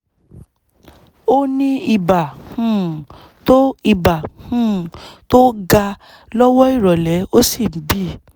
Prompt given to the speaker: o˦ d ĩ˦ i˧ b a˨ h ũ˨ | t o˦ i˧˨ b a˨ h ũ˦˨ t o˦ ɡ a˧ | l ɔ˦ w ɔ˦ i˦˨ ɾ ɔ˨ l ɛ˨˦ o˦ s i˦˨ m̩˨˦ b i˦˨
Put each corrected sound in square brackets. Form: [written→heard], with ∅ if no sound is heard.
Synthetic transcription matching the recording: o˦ [d→n] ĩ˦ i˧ b a˨ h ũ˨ | t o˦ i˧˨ b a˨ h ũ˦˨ t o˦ ɡ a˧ | l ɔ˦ w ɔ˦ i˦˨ ɾ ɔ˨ l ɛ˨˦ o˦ s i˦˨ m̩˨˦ b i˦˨

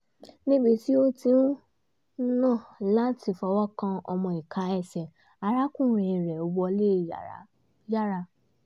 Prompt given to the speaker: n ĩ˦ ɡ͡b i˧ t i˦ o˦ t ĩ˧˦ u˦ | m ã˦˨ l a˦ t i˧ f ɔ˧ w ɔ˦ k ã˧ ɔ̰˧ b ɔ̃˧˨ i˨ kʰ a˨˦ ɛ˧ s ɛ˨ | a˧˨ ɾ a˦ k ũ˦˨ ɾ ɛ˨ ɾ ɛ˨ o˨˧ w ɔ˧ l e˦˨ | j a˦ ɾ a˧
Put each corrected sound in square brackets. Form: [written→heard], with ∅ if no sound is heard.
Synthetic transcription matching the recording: n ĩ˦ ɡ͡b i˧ t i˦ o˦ t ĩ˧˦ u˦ | [m→n] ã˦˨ l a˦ t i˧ f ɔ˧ w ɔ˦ k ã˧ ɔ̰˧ [b→m] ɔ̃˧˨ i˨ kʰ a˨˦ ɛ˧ s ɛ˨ | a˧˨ ɾ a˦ k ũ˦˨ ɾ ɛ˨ ɾ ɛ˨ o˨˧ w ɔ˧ l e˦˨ | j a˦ ɾ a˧

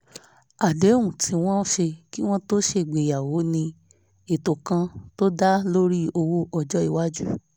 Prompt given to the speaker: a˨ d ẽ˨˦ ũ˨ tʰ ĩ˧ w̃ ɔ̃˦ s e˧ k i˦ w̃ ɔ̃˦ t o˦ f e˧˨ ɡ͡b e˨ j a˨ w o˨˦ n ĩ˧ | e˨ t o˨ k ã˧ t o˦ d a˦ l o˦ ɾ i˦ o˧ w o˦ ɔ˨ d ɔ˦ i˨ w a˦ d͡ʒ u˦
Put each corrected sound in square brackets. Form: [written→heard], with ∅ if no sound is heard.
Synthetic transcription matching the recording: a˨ d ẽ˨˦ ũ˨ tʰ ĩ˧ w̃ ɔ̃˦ [s→ʃ] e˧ k i˦ w̃ ɔ̃˦ t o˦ [f→ʃ] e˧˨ ɡ͡b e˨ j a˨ w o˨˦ n ĩ˧ | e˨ t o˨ k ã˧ t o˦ d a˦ l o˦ ɾ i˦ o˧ w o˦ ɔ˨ [d→d͡ʒ] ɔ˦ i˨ w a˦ d͡ʒ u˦

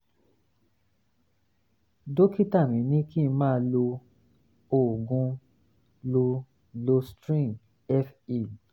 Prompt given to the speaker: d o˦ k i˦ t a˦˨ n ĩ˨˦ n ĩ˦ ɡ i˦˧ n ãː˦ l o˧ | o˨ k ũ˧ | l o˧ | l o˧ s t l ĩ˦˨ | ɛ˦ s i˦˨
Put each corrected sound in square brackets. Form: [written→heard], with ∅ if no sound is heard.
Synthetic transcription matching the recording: d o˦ k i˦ t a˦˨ [n→m] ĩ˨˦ n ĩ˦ [ɡ→k] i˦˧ [n→m] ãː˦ l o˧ | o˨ [k→ɡ] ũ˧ | l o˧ | l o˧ s t [l→ɾ] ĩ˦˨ | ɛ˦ [s→f] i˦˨

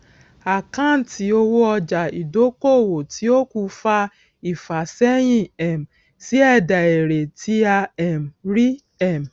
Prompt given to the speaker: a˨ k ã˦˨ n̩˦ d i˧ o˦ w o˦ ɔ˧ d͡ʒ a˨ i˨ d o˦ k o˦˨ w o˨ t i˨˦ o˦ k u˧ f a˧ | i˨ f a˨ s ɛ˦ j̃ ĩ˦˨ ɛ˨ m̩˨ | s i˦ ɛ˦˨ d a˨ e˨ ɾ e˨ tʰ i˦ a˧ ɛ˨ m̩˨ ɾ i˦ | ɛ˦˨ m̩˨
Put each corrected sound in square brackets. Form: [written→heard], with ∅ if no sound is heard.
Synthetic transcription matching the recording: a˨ k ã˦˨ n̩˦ [d→t] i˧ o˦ w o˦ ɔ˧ d͡ʒ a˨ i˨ d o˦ k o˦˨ w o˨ t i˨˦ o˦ k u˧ f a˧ | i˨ f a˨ s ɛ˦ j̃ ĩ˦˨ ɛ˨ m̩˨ | s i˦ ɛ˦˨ d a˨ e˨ ɾ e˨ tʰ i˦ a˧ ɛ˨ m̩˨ ɾ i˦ | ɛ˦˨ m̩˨

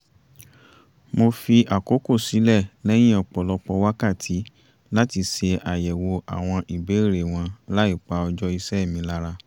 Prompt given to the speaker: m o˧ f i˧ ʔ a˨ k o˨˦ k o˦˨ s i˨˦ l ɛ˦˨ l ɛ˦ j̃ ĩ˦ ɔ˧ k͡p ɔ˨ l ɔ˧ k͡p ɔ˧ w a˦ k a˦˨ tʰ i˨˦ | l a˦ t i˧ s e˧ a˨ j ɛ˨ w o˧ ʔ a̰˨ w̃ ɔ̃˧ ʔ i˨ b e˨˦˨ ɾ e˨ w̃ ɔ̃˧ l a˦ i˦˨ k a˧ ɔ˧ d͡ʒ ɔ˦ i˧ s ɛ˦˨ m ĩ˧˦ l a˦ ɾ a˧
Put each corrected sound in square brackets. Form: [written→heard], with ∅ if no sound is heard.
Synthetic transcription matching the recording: m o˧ f i˧ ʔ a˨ k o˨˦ k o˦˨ s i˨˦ l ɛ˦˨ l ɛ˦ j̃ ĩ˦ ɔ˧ k͡p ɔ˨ l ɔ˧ k͡p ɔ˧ w a˦ k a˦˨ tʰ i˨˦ | l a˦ t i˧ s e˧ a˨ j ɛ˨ w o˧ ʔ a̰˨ w̃ ɔ̃˧ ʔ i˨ b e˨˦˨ ɾ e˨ w̃ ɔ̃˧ l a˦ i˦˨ [k→k͡p] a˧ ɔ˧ d͡ʒ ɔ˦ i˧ s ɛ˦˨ m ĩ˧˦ l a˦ ɾ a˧

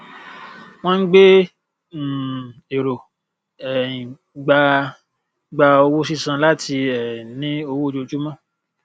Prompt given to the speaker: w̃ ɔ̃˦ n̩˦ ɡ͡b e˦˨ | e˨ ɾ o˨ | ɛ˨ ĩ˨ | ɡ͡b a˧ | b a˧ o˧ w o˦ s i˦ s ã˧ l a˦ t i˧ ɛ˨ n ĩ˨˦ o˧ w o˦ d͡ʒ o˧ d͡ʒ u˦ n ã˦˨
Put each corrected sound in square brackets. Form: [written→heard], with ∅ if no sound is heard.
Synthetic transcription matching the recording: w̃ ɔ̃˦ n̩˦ ɡ͡b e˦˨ | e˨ ɾ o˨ | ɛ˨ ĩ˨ | ɡ͡b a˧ | [b→ɡ͡b] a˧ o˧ w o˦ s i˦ s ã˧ l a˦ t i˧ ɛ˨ n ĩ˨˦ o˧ w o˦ d͡ʒ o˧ d͡ʒ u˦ [n→m] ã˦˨

